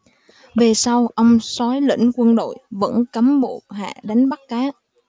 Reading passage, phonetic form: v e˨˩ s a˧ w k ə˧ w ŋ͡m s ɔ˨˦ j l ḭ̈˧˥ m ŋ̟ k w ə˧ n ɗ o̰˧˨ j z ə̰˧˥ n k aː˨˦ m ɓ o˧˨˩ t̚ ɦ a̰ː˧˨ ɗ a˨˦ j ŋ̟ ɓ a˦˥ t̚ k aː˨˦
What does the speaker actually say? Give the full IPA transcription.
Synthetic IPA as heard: v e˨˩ s a˧ w ʔ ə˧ w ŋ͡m s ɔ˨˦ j l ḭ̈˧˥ ŋ̟ k w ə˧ n ɗ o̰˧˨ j v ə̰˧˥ n k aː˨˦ m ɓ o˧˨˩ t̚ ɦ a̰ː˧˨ ɗ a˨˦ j ŋ̟ ɓ a˦˥ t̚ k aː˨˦